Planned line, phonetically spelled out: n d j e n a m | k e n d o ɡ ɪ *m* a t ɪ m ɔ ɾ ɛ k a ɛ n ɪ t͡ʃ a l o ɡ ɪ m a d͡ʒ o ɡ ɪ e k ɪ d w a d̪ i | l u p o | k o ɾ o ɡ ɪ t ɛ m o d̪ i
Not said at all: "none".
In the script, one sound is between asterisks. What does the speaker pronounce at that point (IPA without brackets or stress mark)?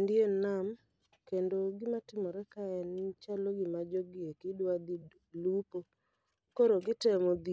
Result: m